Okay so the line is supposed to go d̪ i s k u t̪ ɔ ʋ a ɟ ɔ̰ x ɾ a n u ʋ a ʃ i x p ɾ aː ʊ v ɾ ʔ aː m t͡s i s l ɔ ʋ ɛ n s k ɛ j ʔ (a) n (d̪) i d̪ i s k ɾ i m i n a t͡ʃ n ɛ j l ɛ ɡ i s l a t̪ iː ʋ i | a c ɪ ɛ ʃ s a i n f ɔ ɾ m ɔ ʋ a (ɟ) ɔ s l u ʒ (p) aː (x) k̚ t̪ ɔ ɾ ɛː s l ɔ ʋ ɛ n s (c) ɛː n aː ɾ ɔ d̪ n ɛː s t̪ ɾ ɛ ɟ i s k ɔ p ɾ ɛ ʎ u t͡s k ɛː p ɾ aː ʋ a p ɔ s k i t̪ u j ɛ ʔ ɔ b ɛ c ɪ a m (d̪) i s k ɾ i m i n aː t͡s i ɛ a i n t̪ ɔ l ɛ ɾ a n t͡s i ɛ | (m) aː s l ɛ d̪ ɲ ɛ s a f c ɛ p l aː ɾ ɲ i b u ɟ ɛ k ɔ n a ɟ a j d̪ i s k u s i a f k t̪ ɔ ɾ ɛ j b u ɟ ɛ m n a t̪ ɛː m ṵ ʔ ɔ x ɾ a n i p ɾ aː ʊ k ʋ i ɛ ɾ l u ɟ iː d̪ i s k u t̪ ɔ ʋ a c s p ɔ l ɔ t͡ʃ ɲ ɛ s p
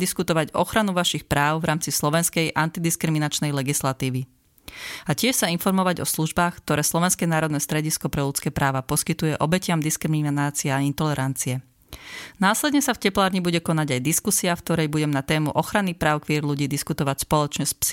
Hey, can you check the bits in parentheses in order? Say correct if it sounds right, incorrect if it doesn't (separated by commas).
correct, incorrect, correct, incorrect, correct, incorrect, correct, incorrect